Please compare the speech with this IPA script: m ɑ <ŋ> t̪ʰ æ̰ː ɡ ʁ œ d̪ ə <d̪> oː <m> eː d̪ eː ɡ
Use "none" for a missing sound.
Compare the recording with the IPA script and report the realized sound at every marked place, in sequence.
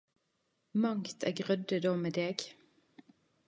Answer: ŋ, d̪, m

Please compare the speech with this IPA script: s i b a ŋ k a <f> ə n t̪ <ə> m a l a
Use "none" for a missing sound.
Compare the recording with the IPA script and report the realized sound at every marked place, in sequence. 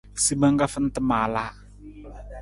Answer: f, ə

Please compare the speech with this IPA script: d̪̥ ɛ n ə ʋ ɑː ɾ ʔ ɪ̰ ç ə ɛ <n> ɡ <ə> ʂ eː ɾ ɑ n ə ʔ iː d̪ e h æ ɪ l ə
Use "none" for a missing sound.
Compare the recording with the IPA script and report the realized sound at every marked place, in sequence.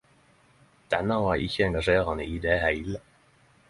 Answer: ŋ, ɑ

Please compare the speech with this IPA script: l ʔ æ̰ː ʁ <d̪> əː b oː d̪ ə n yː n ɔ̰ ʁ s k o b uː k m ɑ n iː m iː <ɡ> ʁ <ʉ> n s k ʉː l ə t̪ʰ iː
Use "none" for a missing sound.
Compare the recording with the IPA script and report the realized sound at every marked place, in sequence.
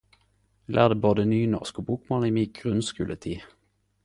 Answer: d̪, ɡ, ʉ

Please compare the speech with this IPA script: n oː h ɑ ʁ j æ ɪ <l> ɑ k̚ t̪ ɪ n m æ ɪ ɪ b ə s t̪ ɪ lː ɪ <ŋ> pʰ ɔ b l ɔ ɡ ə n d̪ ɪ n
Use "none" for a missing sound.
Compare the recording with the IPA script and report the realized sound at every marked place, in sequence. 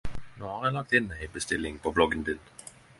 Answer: l, ŋ

